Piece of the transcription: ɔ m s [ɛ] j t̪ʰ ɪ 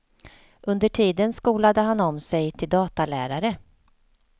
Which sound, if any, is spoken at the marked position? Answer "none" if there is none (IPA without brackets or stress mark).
ɛ